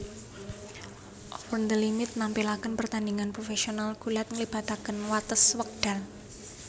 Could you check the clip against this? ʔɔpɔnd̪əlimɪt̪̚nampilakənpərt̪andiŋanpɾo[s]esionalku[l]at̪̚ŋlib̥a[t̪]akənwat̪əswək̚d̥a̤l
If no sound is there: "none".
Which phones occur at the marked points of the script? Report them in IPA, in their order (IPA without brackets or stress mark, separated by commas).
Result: f, l, t̪